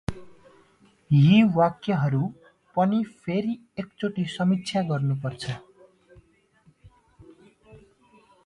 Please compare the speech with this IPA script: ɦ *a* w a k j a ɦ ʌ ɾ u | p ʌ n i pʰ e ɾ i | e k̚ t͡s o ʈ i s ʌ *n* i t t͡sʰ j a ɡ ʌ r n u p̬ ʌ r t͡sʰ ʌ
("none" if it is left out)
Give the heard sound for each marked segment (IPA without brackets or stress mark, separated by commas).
i, m